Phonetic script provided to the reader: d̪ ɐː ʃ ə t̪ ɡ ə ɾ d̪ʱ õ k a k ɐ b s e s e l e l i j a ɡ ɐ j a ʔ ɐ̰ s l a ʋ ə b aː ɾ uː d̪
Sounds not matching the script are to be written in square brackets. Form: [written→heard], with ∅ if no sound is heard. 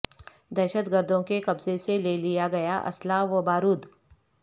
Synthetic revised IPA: d̪ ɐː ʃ ə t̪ ɡ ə ɾ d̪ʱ õ k [a→e] k ɐ b [s→z] e s e l e l i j a ɡ ɐ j a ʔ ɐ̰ s l a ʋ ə b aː ɾ uː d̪